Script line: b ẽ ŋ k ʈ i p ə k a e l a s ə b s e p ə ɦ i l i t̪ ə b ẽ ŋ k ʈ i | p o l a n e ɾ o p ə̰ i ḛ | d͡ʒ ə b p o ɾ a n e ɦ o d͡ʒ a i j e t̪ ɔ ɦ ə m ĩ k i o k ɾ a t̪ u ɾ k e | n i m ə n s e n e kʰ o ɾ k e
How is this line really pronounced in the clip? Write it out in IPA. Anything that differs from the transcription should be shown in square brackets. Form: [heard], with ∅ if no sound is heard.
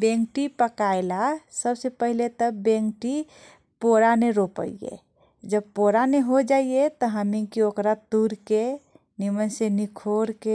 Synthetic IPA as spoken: b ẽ ŋ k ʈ i p ə k a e l a s ə b s e p ə ɦ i l [e] t̪ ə b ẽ ŋ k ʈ i | p o [ɾ] a n e ɾ o p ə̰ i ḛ | d͡ʒ ə b p o ɾ a n e ɦ o d͡ʒ a i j e t̪ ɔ ɦ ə m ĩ k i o k ɾ a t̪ u ɾ k e | n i m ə n s e n [i] kʰ o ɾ k e